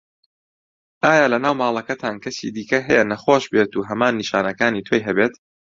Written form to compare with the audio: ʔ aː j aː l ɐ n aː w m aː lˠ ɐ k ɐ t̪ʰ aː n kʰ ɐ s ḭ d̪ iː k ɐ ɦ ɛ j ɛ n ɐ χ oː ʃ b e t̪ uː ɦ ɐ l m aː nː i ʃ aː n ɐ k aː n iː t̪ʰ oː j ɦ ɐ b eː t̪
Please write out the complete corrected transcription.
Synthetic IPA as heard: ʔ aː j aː l ɐ n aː w m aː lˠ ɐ k ɐ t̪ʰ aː n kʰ ɐ s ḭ d̪ iː k ɐ ɦ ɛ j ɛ n ɐ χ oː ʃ b e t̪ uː ɦ ɐ m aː nː i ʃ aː n ɐ k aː n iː t̪ʰ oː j ɦ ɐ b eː t̪

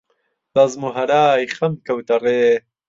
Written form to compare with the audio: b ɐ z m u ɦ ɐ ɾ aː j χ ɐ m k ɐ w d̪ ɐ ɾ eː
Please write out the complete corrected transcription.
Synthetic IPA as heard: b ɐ z m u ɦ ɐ ɾ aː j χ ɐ m k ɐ w t̪ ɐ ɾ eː

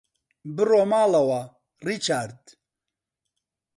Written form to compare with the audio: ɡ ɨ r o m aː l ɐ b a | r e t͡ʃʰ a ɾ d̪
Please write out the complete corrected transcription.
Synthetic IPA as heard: b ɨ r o m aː l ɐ w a | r i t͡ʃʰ a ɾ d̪

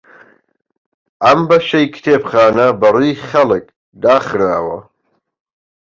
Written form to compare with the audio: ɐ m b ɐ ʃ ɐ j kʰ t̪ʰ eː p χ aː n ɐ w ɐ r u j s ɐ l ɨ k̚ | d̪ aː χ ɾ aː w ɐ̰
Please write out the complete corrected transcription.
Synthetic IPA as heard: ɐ m b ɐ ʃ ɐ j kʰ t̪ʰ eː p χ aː n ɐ b ɐ r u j χ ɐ l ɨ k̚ | d̪ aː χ ɾ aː w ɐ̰

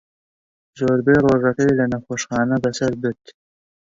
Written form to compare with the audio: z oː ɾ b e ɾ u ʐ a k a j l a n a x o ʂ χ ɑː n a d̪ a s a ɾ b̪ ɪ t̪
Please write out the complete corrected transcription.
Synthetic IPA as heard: z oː ɾ b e ɾ o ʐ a k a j l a n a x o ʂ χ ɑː n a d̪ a s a ɾ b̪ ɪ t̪

